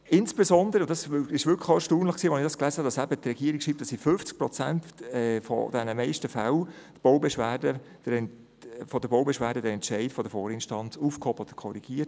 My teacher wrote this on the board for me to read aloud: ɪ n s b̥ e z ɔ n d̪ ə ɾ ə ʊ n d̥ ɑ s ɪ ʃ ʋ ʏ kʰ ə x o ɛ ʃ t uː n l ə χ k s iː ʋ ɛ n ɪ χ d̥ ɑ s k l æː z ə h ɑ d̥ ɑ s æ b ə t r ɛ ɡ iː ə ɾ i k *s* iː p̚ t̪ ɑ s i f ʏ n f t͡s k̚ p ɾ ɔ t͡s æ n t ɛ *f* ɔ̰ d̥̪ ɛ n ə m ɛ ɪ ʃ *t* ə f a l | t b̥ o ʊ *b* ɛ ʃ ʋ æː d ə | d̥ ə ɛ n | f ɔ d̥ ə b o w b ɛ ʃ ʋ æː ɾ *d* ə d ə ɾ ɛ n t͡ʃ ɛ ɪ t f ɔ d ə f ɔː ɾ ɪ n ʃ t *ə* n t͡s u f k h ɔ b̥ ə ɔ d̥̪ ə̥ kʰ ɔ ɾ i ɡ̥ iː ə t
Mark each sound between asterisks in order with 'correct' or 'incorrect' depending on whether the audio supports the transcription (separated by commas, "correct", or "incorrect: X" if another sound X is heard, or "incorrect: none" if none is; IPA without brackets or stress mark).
incorrect: ʃ, correct, correct, correct, correct, incorrect: ɑ